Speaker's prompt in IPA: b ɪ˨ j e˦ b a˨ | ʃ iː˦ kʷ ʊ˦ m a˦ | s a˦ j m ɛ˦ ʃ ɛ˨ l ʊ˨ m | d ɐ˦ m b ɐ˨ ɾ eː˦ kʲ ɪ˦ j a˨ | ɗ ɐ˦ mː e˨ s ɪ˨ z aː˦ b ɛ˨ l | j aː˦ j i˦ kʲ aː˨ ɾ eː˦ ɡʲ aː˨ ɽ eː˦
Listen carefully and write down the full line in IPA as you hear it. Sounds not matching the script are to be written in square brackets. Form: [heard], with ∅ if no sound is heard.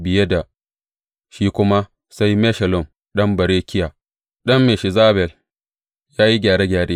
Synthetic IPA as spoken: b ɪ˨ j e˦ [d] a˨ | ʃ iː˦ kʷ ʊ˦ m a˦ | s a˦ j m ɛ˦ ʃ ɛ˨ l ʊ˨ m | [ɗ] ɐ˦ m b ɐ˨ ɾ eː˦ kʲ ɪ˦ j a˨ | ɗ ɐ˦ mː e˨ [ʃ] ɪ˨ z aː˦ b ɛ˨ l | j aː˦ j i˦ [ɡʲ] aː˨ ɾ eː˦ ɡʲ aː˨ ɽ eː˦

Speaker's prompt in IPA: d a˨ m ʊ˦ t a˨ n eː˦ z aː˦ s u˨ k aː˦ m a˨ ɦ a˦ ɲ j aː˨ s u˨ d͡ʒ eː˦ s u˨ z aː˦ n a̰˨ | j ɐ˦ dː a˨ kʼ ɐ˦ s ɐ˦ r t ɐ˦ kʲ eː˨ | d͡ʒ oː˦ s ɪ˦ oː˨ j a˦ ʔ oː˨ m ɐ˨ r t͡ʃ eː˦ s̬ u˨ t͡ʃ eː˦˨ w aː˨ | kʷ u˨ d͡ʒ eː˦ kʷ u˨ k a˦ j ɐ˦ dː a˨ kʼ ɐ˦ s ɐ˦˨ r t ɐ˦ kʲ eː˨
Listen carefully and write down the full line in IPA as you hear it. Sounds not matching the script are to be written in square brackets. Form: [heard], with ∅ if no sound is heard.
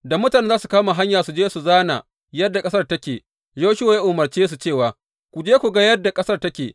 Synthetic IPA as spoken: d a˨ m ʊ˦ t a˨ n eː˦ z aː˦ s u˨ k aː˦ m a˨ ɦ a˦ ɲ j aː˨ s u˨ d͡ʒ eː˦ s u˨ z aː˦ n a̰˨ | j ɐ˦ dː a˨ kʼ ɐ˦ s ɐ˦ r t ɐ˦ kʲ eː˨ | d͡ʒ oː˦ [ʃ] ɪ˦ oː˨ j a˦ ʔ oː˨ m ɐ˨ r t͡ʃ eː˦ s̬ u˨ t͡ʃ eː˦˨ w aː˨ | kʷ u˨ d͡ʒ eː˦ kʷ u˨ [ɡ] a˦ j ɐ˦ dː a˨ kʼ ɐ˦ s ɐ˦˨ r t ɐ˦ kʲ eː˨

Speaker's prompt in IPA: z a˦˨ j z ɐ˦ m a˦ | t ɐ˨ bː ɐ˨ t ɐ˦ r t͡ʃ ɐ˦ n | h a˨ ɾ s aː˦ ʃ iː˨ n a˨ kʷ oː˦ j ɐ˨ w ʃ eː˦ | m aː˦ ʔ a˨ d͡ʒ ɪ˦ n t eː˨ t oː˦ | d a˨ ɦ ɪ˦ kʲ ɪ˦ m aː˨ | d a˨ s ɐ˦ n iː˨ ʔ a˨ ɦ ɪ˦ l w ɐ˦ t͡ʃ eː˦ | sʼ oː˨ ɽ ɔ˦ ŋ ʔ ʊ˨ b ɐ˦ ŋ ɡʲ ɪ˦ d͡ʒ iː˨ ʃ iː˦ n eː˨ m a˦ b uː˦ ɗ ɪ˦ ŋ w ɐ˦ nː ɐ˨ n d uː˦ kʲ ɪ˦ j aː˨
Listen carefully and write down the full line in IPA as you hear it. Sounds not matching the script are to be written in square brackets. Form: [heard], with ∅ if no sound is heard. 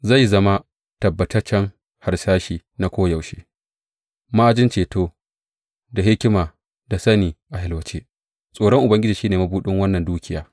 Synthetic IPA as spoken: z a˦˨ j z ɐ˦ m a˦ | t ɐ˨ bː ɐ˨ t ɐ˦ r t͡ʃ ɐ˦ [ŋ] | h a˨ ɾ s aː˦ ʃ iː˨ n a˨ kʷ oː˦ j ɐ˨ w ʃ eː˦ | m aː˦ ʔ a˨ d͡ʒ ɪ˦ n [t͡ʃ] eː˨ t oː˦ | d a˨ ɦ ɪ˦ kʲ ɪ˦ m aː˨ | d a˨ s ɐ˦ n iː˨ ʔ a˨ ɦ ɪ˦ l w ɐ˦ t͡ʃ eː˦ | sʼ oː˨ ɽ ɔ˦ ŋ ʔ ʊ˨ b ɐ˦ ŋ ɡʲ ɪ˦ d͡ʒ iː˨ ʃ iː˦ n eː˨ m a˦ b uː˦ ɗ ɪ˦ ŋ w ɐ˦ nː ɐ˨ n d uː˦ kʲ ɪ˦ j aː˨

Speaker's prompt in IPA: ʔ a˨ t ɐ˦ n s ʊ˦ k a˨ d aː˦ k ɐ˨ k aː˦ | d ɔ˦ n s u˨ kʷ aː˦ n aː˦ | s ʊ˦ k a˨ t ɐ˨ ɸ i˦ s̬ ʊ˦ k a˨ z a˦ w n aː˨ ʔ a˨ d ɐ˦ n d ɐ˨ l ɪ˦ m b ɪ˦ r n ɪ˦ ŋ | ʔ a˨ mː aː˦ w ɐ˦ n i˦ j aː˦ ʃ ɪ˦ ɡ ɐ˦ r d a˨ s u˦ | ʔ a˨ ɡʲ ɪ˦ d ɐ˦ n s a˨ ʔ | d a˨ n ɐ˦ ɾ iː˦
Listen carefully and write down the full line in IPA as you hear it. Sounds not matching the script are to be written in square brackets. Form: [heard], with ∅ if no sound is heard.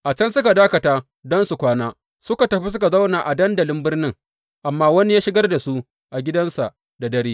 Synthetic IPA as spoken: ʔ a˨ [t͡ʃ] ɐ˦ n s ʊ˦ k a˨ d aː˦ k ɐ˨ [t] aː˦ | d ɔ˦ n s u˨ kʷ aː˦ n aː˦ | s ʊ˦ k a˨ t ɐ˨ ɸ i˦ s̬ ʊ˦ k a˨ z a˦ w n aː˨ ʔ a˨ d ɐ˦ n d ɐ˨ l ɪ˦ m b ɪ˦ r n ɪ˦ ŋ | ʔ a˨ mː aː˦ w ɐ˦ n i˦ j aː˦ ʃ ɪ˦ ɡ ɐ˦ r d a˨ s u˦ | ʔ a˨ ɡʲ ɪ˦ d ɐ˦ n s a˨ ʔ | d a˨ [d] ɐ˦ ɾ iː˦

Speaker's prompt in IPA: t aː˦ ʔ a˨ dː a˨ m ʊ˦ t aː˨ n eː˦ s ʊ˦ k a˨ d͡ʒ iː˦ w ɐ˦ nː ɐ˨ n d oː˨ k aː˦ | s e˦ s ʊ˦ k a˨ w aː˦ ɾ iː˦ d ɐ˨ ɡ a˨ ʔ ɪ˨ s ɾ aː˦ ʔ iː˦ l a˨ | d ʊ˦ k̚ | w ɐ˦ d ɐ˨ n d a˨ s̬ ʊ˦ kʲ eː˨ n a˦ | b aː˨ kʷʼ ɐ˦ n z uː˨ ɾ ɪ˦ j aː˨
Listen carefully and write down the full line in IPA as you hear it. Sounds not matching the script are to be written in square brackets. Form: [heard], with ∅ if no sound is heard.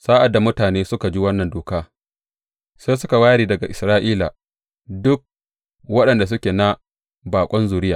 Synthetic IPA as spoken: [s] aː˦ ʔ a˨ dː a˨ m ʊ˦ t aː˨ n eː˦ s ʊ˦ k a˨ d͡ʒ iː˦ w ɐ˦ nː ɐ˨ n d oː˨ k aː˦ | s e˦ s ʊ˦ k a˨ w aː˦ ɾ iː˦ d ɐ˨ ɡ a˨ ʔ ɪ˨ s ɾ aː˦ ʔ iː˦ l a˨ | d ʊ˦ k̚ | w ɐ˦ [ɗ] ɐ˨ n d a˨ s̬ ʊ˦ kʲ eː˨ n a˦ | b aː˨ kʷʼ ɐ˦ n z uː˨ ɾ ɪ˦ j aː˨

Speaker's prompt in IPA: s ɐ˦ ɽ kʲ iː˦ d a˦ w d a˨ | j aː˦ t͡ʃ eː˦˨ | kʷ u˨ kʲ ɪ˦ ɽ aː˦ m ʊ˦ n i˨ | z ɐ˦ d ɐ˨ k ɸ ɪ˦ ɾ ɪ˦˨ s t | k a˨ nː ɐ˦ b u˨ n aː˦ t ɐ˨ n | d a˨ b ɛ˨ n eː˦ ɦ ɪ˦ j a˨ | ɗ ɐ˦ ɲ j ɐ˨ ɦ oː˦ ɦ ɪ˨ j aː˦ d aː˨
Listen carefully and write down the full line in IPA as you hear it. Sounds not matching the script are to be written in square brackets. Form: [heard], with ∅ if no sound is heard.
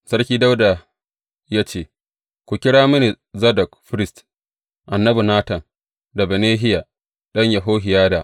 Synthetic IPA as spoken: s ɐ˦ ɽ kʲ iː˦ d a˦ w d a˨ | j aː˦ t͡ʃ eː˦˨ | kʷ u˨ kʲ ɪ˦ ɽ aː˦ m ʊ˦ n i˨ | z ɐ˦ d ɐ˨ k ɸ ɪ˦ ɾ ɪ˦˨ s t | [ʔ] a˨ nː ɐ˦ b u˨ n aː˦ t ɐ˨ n | d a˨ b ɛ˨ n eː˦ ɦ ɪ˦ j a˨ | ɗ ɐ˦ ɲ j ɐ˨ ɦ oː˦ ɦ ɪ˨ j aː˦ d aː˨

